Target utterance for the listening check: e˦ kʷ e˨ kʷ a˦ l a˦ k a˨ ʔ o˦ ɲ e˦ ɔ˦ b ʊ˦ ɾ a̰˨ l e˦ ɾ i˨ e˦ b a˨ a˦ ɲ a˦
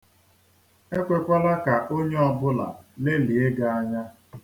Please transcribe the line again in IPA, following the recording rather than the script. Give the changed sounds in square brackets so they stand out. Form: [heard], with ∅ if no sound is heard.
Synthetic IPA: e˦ kʷ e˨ kʷ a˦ l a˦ k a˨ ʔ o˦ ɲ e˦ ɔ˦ b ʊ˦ [l] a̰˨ l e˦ [l] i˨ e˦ [ɡ] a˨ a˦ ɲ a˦